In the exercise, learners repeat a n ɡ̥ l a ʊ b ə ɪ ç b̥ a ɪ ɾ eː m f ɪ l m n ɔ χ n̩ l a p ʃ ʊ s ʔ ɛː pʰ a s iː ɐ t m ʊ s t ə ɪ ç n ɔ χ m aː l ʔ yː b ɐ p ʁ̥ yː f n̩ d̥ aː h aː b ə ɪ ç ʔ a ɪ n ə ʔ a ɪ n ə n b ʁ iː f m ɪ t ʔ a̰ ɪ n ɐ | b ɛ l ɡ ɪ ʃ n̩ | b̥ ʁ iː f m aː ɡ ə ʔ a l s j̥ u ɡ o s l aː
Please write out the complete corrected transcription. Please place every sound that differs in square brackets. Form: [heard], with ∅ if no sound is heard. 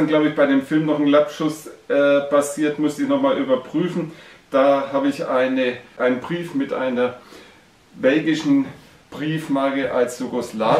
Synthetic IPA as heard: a n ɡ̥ l a ʊ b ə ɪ ç b̥ a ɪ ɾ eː m f ɪ l m n ɔ χ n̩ l a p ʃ ʊ s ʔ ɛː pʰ a s iː ɐ t m ʊ s t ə ɪ ç n ɔ χ m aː l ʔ yː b ɐ p ʁ̥ yː f n̩ d̥ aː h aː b ə ɪ ç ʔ a ɪ n ə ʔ a ɪ n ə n b ʁ iː f m ɪ t ʔ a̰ ɪ n ɐ | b ɛ l ɡ ɪ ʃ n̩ | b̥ ʁ iː f m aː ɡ ə ʔ a l s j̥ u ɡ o s l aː